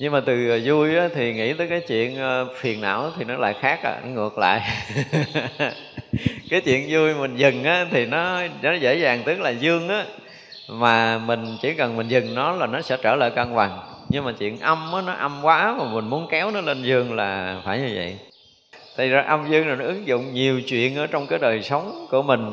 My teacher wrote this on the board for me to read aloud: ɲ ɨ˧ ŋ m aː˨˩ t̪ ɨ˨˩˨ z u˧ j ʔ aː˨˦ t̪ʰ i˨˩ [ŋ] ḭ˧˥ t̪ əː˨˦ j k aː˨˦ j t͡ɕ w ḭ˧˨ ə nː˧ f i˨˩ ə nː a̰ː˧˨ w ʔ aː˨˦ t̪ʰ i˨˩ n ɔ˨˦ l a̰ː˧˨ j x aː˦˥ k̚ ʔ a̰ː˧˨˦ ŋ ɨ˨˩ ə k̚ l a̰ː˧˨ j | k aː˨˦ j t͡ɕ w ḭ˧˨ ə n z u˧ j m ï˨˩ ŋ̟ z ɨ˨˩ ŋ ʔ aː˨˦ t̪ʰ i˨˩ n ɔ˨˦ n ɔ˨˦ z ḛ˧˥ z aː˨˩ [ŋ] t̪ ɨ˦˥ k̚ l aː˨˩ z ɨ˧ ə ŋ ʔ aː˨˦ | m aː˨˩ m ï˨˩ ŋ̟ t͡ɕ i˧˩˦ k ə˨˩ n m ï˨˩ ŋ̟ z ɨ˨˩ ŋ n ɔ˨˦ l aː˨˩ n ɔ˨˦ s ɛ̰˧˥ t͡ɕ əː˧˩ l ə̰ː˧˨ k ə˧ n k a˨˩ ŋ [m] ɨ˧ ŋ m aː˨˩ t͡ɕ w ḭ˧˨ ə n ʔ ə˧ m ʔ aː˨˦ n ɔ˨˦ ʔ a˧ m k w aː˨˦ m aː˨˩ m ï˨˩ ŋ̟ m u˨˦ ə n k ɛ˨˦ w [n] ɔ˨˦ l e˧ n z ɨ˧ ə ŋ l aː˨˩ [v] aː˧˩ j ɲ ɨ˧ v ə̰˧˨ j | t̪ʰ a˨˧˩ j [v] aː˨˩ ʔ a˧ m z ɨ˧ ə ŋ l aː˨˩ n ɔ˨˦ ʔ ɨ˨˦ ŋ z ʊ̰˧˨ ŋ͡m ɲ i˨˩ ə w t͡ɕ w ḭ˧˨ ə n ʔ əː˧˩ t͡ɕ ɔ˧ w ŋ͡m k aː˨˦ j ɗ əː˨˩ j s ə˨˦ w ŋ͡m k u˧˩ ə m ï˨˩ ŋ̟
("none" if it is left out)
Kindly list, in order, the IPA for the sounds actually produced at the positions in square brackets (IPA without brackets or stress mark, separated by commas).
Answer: ŋ, ŋ, ɲ, n, f, z